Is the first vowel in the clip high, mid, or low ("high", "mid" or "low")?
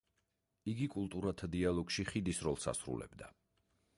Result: high